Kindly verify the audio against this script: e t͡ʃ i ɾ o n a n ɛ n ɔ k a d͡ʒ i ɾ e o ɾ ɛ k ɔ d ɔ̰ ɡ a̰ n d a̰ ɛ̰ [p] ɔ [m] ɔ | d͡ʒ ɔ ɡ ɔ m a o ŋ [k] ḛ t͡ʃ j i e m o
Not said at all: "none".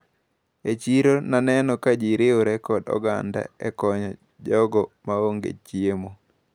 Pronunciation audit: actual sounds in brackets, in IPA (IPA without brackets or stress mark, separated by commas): k, ɲ, ɡ